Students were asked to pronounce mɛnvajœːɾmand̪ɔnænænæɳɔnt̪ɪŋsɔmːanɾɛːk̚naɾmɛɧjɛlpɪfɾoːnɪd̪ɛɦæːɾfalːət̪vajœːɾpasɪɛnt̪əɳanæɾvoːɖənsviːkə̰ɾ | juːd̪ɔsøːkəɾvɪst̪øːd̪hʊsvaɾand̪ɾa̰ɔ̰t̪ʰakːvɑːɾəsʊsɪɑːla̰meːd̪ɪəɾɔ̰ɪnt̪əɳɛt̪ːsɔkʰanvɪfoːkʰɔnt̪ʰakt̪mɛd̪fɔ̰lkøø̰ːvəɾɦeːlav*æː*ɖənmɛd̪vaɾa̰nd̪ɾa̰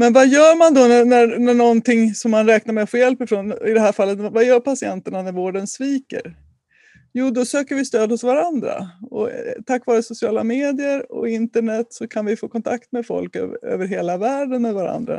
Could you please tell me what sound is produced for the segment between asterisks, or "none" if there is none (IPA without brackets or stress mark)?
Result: æː